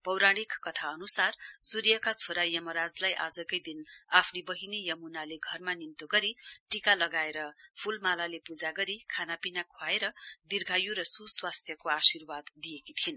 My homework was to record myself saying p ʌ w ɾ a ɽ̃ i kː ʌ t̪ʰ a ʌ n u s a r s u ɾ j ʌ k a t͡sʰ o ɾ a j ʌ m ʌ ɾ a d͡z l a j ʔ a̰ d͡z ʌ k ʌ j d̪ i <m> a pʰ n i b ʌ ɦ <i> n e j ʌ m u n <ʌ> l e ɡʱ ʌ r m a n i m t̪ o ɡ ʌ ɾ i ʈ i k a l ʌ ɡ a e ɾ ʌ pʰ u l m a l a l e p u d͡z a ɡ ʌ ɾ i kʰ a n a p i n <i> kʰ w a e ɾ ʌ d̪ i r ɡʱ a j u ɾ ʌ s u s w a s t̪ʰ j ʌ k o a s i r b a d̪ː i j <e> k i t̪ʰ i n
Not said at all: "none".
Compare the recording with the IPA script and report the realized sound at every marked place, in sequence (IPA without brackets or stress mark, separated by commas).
n, i, a, a, e